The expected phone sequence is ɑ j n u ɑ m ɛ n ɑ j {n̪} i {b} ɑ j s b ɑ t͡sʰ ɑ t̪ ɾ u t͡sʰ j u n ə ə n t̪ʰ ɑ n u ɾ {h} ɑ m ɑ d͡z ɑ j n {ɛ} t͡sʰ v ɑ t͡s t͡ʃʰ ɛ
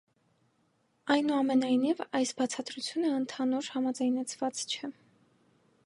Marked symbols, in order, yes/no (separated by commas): yes, no, yes, yes